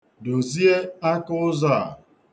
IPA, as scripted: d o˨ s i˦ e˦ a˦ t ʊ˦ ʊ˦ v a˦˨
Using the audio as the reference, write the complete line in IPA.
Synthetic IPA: d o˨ z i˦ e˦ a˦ k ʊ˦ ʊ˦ z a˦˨